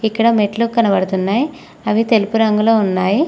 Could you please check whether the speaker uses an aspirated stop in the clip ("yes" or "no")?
no